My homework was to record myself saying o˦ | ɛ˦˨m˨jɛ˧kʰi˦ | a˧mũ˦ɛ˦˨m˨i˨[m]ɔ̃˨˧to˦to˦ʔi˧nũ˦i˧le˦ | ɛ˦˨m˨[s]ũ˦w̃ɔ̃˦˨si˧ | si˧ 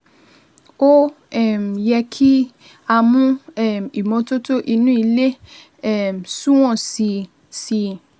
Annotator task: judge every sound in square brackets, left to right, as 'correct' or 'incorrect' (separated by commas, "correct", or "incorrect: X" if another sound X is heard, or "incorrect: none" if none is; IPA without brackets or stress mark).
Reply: correct, correct